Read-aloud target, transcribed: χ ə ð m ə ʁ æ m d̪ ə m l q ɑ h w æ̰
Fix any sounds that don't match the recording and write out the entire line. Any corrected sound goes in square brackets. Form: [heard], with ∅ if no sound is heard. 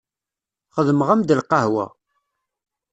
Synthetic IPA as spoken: χ ə ð m ə ʁ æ m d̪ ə [∅] l q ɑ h w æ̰